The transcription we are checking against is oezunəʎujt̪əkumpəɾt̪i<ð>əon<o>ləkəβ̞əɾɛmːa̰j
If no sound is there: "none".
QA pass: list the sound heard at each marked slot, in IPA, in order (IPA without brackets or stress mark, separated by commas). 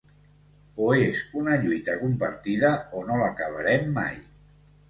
ð, o